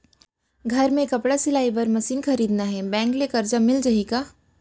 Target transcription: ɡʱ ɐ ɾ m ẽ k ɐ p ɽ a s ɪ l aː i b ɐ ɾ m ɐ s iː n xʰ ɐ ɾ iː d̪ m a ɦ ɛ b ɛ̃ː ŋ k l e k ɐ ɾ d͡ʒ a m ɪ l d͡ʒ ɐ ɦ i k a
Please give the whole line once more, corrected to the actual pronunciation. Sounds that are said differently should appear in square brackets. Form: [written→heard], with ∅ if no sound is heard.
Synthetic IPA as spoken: ɡʱ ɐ ɾ m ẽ k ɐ p ɽ a s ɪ l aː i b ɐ ɾ m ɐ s iː n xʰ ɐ ɾ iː d̪ [m→n] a ɦ ɛ b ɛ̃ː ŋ k l e k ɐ ɾ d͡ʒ a m ɪ l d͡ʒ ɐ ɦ i k a